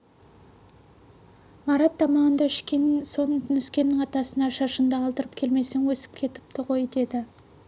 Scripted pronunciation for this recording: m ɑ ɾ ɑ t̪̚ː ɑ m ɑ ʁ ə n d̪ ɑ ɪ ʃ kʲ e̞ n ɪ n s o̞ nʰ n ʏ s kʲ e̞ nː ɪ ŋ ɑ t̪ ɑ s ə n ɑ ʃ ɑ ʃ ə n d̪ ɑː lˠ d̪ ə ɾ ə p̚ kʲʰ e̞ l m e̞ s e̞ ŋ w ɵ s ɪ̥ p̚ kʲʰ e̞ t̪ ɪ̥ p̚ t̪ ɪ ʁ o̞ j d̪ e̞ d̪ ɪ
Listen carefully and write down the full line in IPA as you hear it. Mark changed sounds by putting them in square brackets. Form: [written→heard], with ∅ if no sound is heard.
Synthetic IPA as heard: m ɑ ɾ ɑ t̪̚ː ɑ m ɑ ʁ ə n d̪ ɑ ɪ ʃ kʲ e̞ n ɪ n s o̞ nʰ n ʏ s kʲ e̞ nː ɪ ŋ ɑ t̪ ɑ s ə n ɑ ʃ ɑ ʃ ə n d̪ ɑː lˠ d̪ ə ɾ ə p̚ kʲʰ e̞ l m e̞ s e̞ ŋ w ɵ s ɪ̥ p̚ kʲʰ e̞ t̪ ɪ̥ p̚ t̪ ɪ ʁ o̞ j d̪ e̞ d̪ ɪ

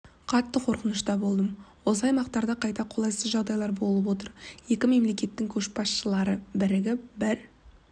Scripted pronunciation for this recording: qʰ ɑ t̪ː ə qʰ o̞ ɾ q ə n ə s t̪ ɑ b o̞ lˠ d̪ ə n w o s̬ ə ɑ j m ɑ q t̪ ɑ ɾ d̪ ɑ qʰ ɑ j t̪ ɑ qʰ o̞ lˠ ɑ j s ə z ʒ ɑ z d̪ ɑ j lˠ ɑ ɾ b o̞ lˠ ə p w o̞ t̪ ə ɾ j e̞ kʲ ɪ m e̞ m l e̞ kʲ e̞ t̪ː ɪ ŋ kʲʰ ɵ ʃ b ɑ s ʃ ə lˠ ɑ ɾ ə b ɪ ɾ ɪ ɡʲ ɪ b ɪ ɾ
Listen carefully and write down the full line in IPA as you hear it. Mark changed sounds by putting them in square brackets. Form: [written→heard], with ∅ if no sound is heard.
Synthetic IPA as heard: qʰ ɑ t̪ː ə qʰ o̞ ɾ q ə n ə [s→ʃ] t̪ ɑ b o̞ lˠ d̪ ə [n→m] w o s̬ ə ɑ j m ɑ q t̪ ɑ ɾ d̪ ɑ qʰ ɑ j t̪ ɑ qʰ o̞ lˠ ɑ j s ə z ʒ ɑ [z→ʁ] d̪ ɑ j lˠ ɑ ɾ b o̞ lˠ ə p w o̞ t̪ ə ɾ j e̞ kʲ ɪ m e̞ m l e̞ kʲ e̞ t̪ː ɪ ŋ kʲʰ ɵ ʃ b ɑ s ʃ ə lˠ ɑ ɾ ə b ɪ ɾ ɪ ɡʲ ɪ b ɪ ɾ

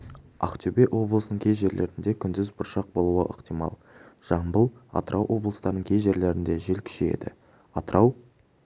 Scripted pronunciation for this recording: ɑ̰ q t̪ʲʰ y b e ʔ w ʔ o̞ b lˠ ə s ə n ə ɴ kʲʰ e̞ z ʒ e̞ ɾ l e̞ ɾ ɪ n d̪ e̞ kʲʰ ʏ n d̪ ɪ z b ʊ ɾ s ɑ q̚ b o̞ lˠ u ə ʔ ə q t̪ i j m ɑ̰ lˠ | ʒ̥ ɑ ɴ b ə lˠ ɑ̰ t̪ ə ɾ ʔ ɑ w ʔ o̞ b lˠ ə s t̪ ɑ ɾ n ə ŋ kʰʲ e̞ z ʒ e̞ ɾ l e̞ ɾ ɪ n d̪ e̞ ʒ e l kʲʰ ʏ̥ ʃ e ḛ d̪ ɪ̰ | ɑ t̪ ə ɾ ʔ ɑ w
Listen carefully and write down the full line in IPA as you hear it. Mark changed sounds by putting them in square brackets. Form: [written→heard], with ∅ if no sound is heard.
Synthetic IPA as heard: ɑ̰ q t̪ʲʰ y b e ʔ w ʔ o̞ b lˠ ə s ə n ə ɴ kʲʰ e̞ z ʒ e̞ ɾ l e̞ ɾ ɪ n d̪ e̞ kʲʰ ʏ n d̪ ɪ z b ʊ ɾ [s→ʃ] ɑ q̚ b o̞ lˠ u ə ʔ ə q t̪ i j m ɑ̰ lˠ | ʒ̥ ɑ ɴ b ə lˠ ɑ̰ t̪ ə ɾ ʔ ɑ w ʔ o̞ b lˠ ə s t̪ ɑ ɾ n ə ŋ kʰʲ e̞ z ʒ e̞ ɾ l e̞ ɾ ɪ n d̪ e̞ ʒ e l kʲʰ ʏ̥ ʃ e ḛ d̪ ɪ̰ | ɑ t̪ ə ɾ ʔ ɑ w

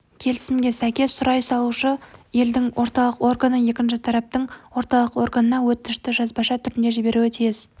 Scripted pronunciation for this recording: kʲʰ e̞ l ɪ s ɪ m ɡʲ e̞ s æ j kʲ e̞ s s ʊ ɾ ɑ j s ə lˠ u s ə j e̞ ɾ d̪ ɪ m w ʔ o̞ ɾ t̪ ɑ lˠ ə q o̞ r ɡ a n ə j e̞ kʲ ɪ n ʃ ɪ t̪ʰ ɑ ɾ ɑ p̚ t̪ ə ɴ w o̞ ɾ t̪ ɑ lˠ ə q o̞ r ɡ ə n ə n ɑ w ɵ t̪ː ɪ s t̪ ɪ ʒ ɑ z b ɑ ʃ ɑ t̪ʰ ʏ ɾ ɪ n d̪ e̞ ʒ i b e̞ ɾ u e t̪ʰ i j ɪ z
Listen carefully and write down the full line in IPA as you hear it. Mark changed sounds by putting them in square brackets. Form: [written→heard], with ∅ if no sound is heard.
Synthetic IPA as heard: kʲʰ e̞ l ɪ s ɪ m ɡʲ e̞ s æ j kʲ e̞ s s ʊ ɾ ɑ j s [ə→ɑ] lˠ u [s→ʃ] ə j e̞ [ɾ→l] d̪ ɪ [m→ŋ] w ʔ o̞ ɾ t̪ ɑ lˠ ə q o̞ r ɡ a n ə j e̞ kʲ ɪ n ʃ ɪ t̪ʰ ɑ ɾ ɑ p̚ t̪ ə ɴ w o̞ ɾ t̪ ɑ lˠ ə q o̞ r ɡ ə n ə n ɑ w ɵ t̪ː ɪ [s→ʃ] t̪ ɪ ʒ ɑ z b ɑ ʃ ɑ t̪ʰ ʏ ɾ ɪ n d̪ e̞ ʒ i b e̞ ɾ u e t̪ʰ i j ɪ z

